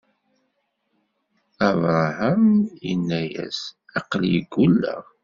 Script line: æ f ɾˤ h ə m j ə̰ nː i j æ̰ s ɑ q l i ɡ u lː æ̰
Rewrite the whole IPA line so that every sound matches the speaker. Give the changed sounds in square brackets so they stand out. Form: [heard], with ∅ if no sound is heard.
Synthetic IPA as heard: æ [v] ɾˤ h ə m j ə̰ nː [æ] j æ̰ s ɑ q l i ɡ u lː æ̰